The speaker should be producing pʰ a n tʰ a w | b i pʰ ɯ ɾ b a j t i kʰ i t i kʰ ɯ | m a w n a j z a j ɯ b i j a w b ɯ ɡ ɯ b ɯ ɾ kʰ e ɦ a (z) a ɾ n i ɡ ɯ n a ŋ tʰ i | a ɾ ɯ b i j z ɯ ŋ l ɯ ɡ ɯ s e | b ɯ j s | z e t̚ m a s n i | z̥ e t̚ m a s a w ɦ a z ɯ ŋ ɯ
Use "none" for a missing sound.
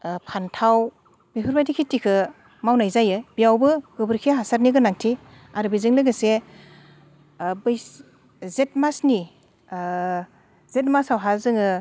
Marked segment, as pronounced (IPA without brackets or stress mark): s